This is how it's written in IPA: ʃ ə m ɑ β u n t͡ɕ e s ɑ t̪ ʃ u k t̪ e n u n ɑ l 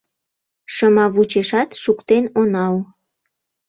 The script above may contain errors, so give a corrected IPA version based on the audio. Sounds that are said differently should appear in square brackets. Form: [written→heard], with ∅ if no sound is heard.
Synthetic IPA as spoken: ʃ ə m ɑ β u [n→∅] t͡ɕ e [s→ʃ] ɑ t̪ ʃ u k t̪ e n [u→o] n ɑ l